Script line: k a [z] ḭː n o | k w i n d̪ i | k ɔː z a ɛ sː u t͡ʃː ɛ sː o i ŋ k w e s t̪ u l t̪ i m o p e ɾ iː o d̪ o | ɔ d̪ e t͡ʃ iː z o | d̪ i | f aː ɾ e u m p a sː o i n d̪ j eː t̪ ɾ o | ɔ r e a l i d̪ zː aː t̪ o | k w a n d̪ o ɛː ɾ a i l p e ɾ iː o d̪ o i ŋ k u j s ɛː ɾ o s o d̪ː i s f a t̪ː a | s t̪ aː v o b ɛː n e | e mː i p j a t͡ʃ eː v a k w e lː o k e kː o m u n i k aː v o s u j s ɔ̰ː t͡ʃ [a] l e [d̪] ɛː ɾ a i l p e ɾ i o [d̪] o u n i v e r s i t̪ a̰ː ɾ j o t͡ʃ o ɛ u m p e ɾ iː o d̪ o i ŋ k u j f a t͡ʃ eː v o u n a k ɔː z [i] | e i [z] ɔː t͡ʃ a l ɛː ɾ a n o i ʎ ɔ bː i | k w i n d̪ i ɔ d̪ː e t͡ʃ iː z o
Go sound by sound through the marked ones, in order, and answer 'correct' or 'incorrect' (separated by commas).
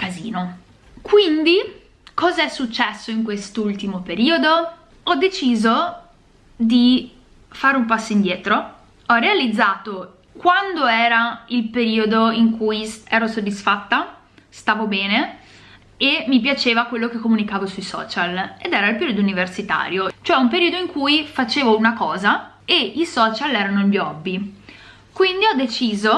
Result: correct, correct, correct, correct, incorrect, incorrect